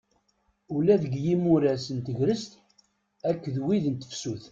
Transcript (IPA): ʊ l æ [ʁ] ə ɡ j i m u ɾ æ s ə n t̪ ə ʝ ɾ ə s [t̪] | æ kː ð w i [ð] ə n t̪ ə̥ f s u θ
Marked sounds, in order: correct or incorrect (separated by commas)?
incorrect, correct, correct